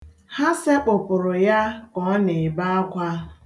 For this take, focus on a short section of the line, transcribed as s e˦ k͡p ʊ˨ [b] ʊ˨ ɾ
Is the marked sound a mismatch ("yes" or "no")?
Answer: yes